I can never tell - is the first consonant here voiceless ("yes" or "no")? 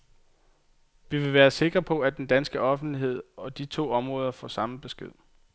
no